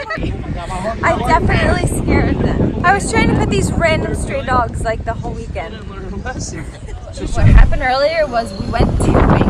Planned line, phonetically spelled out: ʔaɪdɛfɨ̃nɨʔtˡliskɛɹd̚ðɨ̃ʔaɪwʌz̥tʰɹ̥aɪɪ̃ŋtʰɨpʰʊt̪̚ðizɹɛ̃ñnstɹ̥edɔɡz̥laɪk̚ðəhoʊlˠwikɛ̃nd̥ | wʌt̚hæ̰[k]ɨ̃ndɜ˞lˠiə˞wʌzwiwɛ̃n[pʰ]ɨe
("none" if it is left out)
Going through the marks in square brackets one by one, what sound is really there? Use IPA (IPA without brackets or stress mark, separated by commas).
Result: p, tʰ